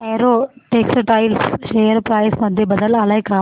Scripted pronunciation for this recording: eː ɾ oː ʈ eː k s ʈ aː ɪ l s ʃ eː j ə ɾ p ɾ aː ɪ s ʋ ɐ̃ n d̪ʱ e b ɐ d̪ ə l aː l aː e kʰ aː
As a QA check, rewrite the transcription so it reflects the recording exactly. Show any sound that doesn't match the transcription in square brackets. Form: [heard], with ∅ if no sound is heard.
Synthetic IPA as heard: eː ɾ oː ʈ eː k s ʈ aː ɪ l s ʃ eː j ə ɾ p ɾ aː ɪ s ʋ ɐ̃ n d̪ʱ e b ɐ d̪ ə l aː l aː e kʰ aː